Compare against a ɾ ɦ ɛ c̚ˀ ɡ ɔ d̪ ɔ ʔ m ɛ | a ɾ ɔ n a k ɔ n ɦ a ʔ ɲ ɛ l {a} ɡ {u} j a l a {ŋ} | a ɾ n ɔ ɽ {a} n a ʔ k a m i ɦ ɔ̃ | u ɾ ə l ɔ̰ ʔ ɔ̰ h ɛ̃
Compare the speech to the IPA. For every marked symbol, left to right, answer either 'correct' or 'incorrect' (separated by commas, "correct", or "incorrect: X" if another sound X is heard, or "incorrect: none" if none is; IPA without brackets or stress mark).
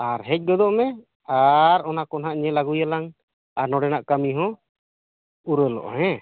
correct, correct, correct, incorrect: ɛ